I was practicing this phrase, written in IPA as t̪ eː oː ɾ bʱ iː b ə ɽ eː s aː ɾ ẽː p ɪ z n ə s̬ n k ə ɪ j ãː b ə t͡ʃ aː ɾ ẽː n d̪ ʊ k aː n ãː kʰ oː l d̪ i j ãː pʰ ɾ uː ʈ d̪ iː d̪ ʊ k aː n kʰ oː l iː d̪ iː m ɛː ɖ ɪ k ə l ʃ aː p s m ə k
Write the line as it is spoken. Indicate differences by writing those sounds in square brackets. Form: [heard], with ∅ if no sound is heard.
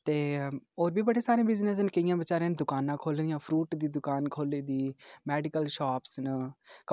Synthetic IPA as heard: t̪ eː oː ɾ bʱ iː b ə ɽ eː s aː ɾ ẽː [b] ɪ z n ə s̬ n k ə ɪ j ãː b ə t͡ʃ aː ɾ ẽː n d̪ ʊ k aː n ãː kʰ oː l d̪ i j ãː pʰ ɾ uː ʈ d̪ iː d̪ ʊ k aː n kʰ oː l iː d̪ iː m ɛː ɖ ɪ k ə l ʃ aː p s [n] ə k